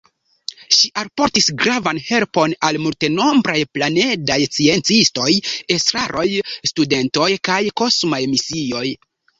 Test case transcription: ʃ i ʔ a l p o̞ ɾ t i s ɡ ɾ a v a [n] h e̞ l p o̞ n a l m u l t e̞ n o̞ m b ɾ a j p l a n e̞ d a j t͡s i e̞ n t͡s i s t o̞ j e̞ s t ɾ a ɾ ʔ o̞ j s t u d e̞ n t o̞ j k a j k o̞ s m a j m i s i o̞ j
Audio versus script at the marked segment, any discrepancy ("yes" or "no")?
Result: no